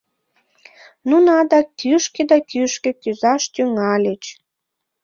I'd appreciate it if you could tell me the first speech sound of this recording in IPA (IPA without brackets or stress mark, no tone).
n